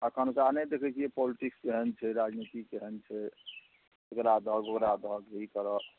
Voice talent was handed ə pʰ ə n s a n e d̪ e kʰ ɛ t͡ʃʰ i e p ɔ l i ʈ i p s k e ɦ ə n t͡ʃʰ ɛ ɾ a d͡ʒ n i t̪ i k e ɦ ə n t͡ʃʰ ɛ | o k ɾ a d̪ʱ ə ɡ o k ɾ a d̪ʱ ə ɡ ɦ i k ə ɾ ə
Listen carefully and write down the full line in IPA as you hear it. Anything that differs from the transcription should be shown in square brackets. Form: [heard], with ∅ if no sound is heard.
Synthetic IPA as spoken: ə [kʰ] ə n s a n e d̪ e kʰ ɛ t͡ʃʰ i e p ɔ l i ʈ i [k] s k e ɦ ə n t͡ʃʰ ɛ ɾ a d͡ʒ n i t̪ i k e ɦ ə n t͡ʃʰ ɛ | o k ɾ a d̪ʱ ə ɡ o k ɾ a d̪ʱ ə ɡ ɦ i k ə ɾ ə